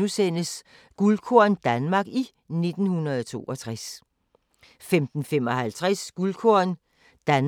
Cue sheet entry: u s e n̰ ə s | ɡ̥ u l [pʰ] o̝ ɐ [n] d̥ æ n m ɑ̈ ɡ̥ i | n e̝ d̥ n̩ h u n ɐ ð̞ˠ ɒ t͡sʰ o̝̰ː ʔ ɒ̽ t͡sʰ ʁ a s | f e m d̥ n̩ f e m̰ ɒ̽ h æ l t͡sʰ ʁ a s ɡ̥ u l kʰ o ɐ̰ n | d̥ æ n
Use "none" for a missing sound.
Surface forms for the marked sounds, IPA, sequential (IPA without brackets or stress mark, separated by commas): kʰ, n